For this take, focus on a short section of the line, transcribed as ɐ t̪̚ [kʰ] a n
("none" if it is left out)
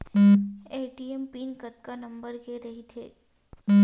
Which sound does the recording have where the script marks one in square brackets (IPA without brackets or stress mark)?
k